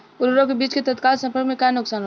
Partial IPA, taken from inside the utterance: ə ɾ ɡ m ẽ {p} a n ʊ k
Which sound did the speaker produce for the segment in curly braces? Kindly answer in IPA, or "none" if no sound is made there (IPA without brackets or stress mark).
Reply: k